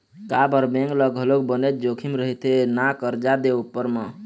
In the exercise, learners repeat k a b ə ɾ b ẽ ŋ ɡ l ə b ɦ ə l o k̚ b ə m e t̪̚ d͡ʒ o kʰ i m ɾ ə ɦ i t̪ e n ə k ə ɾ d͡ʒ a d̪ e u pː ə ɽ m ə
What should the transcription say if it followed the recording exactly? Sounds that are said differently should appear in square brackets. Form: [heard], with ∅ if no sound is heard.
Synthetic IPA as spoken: k a b ə ɾ b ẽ ŋ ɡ l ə [ɡ] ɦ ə l o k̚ b ə [n] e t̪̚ d͡ʒ o kʰ i m ɾ ə ɦ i t̪ e n [a] k ə ɾ d͡ʒ a d̪ e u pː ə [ɾ] m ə